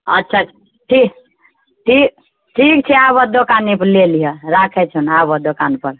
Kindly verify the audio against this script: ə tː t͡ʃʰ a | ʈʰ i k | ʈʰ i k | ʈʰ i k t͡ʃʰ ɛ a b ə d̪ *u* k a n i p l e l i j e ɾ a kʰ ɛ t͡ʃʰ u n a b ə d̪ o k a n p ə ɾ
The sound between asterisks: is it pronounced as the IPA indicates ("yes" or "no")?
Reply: no